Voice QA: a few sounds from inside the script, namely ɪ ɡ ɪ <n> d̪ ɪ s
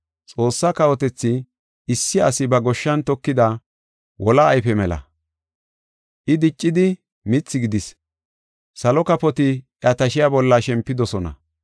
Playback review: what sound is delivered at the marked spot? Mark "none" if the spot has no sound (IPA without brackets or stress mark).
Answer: none